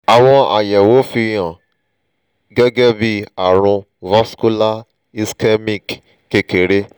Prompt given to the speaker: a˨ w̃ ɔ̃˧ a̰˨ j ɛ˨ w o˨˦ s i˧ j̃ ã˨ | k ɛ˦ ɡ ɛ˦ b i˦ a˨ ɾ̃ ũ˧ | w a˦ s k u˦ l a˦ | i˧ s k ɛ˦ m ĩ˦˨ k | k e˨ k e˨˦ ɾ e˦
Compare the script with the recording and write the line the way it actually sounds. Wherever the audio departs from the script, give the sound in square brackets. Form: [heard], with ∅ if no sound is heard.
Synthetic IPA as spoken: a˨ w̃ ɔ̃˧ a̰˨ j ɛ˨ w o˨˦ [f] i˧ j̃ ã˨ | [ɡ] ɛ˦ ɡ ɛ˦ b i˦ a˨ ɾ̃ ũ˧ | [v] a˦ s k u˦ l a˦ | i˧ s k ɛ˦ m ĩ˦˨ k | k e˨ k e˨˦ ɾ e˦